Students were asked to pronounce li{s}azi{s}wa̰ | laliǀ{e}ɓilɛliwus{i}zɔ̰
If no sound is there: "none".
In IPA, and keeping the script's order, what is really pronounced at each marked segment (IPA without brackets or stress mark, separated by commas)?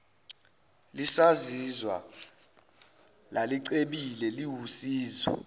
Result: s, z, e, iː